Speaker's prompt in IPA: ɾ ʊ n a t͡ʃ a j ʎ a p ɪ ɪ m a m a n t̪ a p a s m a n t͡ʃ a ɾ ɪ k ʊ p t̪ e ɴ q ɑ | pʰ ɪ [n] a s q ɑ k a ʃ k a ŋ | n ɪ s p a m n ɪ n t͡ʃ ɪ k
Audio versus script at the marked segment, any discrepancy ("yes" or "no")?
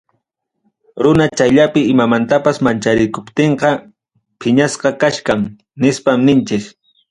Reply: yes